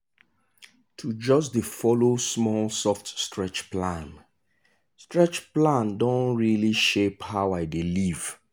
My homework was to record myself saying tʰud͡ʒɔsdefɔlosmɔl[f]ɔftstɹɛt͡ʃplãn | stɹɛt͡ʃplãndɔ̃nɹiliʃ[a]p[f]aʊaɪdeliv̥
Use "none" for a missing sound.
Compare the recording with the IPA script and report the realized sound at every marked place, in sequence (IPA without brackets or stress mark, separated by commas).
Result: s, e, h